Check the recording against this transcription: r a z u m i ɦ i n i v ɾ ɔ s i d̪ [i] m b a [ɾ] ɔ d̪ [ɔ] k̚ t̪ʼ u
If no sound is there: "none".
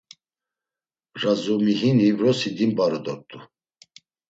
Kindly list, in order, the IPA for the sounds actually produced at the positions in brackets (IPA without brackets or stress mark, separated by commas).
i, ɾ, ɔ